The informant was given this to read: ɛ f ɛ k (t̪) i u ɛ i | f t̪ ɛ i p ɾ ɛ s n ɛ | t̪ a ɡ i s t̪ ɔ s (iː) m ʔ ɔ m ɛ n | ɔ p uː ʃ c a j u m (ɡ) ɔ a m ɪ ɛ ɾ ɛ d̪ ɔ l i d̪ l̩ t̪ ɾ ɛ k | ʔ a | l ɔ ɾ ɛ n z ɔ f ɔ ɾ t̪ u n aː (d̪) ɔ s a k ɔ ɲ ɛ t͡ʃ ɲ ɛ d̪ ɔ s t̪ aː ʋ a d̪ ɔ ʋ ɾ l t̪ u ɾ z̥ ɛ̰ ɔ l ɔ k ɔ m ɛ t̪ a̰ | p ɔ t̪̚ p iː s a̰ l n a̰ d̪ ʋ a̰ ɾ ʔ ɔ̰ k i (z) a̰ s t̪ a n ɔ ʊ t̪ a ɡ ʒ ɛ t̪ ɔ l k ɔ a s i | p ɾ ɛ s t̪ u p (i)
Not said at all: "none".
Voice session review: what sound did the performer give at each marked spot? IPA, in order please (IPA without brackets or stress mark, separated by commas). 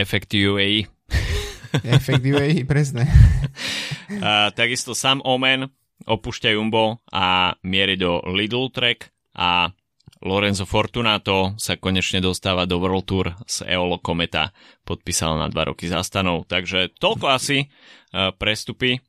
t̪, aː, b, t̪, z, i